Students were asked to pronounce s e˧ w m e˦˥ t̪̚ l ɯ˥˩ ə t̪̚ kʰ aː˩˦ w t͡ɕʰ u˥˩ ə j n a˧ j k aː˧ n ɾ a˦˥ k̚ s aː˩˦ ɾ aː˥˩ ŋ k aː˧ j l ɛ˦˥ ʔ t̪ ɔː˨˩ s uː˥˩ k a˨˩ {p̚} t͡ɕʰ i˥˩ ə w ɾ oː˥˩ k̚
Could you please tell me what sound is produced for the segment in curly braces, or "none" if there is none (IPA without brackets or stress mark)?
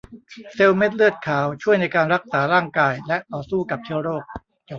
p̚